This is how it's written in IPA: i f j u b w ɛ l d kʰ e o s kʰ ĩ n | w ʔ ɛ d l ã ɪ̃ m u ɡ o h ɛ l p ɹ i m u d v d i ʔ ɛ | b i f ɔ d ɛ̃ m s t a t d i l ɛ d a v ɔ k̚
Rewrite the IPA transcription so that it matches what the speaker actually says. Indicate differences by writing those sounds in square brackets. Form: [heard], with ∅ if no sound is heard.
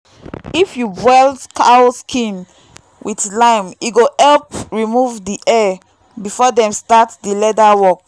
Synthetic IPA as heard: i f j u b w ɛ l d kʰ [a] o s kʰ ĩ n | w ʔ [i] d l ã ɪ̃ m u ɡ o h ɛ l p ɹ i m u [∅] v d i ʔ ɛ | b i f ɔ d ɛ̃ m s t a t d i l ɛ d a [w] ɔ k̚